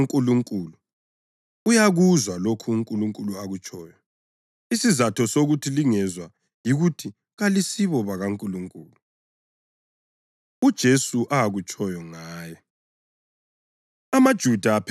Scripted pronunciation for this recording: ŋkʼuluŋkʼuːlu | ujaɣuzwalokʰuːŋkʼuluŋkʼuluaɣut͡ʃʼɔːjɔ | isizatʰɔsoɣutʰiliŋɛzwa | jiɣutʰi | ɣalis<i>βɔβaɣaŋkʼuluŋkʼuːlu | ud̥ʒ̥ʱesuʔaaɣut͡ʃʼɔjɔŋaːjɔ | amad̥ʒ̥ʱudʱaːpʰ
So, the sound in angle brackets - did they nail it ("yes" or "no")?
yes